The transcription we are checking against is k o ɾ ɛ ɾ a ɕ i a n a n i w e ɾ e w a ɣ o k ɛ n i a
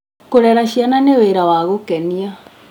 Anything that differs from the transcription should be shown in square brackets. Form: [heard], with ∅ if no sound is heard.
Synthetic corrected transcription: k o ɾ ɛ ɾ a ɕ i a n a n [e] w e ɾ [a] w a ɣ o k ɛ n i a